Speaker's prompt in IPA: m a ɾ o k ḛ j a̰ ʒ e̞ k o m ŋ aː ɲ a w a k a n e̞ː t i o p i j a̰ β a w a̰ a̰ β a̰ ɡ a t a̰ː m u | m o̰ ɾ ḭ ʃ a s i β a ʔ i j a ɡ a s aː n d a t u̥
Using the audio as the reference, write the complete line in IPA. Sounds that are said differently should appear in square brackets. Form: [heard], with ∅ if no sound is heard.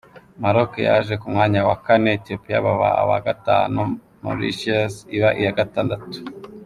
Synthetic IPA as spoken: m a ɾ o k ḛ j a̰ ʒ e̞ k [u] m ŋ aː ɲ a w a k a n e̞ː t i o p i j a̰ β a [β] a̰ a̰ β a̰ ɡ a t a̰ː [n] u | m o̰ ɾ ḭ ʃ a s i β a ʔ i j a ɡ a [t] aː n d a t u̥